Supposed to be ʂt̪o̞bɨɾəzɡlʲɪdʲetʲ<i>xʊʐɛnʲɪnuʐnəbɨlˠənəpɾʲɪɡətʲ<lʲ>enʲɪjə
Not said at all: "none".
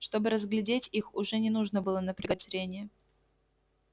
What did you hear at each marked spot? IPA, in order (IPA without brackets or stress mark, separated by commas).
i, ɾʲ